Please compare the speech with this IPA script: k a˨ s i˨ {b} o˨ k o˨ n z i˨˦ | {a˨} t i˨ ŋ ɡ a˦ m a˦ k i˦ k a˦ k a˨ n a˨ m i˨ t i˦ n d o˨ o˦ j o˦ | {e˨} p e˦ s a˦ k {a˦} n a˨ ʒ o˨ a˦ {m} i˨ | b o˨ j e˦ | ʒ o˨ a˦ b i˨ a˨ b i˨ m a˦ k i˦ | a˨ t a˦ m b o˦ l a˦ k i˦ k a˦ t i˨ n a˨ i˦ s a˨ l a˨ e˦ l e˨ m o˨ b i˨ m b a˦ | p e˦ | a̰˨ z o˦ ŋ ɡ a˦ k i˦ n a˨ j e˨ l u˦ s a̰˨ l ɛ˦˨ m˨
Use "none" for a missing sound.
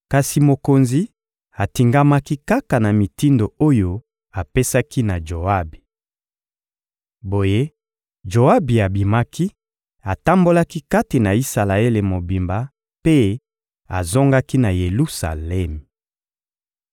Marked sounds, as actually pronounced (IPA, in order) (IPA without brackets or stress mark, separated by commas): m, a˨, a˨, i˦, b